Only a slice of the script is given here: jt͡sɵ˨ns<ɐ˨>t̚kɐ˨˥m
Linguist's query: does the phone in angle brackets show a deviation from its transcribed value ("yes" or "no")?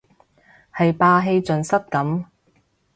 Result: yes